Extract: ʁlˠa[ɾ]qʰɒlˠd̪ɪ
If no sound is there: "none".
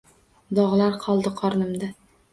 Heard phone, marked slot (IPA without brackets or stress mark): ɾ